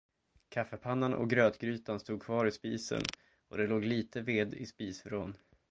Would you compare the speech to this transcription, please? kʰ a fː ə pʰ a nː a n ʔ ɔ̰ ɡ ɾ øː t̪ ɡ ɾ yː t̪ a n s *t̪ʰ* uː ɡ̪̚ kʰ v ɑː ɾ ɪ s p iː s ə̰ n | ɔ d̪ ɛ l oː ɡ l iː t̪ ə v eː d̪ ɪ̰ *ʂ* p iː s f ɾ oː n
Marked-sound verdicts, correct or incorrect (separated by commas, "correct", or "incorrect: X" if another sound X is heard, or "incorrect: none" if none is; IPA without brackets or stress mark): incorrect: t̪, incorrect: s